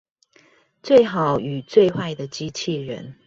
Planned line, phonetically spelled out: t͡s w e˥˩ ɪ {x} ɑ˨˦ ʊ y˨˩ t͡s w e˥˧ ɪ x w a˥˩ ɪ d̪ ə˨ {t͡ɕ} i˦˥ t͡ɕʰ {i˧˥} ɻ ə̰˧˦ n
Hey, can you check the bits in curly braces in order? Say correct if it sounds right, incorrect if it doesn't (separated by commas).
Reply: correct, correct, incorrect